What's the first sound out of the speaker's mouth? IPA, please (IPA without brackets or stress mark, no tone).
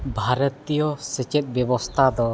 bʱ